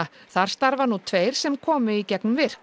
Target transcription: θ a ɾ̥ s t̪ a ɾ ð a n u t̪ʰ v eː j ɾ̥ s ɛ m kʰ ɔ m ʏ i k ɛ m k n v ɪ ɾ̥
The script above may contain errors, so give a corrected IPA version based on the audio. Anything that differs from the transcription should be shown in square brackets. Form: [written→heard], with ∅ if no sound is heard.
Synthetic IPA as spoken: θ a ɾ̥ s t̪ a ɾ [ð→v] a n u t̪ʰ v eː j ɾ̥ s ɛ m kʰ [ɔ→ɔː] m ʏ i [k→c] ɛ [m→∅] k n v ɪ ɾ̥

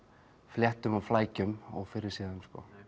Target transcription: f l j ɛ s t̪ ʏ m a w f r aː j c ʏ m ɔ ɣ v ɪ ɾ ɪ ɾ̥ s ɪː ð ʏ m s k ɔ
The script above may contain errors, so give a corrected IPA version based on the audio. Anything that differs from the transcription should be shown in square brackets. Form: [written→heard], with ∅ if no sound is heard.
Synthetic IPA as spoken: f l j ɛ [s→h] t̪ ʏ m a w f [r→l] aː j c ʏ m ɔ ɣ [v→f] ɪ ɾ ɪ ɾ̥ s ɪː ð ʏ m s k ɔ

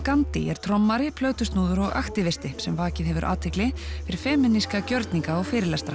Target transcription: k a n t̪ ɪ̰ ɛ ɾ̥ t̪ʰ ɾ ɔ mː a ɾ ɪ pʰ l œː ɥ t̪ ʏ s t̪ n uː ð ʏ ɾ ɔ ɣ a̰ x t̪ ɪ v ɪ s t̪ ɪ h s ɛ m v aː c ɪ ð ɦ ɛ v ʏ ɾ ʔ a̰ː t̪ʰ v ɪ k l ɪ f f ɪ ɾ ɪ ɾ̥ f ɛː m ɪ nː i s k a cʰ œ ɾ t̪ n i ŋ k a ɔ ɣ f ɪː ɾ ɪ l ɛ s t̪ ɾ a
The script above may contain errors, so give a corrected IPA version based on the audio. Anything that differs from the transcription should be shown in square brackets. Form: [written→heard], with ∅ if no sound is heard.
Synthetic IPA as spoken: k a n t̪ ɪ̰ ɛ ɾ̥ t̪ʰ ɾ ɔ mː a ɾ ɪ pʰ l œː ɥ t̪ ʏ s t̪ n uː ð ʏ ɾ ɔ ɣ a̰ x t̪ ɪ v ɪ s t̪ ɪ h s ɛ m v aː c ɪ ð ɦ ɛ v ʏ ɾ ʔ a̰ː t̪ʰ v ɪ k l ɪ f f ɪ ɾ ɪ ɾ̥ f ɛː m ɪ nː i s k a [cʰ→c] œ ɾ t̪ n i ŋ k a ɔ ɣ f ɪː ɾ ɪ l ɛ s t̪ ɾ a

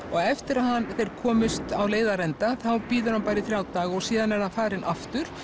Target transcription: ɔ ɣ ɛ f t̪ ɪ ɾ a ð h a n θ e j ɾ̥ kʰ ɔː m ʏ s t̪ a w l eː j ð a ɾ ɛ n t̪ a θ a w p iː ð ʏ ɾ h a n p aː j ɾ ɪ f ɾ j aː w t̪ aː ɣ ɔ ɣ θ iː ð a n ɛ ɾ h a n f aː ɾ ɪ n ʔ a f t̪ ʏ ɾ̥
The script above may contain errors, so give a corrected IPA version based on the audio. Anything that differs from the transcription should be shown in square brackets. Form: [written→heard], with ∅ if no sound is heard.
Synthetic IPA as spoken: ɔ ɣ ɛ f t̪ ɪ ɾ a ð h a n θ e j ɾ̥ kʰ ɔː m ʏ s t̪ a w l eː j ð a ɾ ɛ n t̪ a θ a w p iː ð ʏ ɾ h a n p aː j ɾ ɪ [f→θ] ɾ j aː w t̪ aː ɣ ɔ ɣ [θ→s] iː ð a n ɛ ɾ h a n f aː ɾ ɪ n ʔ a f t̪ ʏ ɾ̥

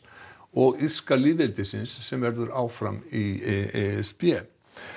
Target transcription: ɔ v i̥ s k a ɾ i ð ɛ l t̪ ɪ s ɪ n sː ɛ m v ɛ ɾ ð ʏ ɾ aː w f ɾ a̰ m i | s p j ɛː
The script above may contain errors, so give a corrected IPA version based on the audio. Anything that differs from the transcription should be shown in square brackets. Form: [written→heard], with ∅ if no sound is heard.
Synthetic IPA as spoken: ɔ [v→ɣ] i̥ s k a [ɾ→l] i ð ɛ l t̪ ɪ s ɪ n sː ɛ m v ɛ ɾ ð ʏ ɾ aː w f ɾ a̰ m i | s p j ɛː

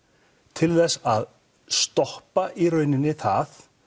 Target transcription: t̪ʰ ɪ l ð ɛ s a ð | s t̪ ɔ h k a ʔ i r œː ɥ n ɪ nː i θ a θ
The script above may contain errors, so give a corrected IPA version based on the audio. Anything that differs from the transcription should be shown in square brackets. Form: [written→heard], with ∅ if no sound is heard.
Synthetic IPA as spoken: t̪ʰ ɪ l [ð→θ] ɛ s a ð | s t̪ ɔ h [k→p] a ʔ i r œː ɥ n ɪ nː [i→ɪ] θ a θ

